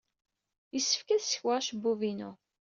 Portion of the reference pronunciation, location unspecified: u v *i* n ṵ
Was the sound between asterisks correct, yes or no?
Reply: yes